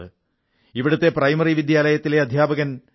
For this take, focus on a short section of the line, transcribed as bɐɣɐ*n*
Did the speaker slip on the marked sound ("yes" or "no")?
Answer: no